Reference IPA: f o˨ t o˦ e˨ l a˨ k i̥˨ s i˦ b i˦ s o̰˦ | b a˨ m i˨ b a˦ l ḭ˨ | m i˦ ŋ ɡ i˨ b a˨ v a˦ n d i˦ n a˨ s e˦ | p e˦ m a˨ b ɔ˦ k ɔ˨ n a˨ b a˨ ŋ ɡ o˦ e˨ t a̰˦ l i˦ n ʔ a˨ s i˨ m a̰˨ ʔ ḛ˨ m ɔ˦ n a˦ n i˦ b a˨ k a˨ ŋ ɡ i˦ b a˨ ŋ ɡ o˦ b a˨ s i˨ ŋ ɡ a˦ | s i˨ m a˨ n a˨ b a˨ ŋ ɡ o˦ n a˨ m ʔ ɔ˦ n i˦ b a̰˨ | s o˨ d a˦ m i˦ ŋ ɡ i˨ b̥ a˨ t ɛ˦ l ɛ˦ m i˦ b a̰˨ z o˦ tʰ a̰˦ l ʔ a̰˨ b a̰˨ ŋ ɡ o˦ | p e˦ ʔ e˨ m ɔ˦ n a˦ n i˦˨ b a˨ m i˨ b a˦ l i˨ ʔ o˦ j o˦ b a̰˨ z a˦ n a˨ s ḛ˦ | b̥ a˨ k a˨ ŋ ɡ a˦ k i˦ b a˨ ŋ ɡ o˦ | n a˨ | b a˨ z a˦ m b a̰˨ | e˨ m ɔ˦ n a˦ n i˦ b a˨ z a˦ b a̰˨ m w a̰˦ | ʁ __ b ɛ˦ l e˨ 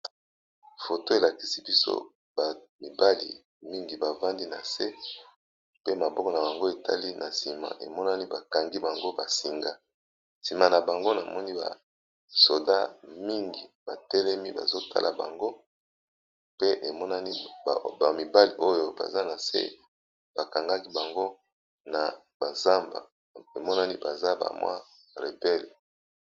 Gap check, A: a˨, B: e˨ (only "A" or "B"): B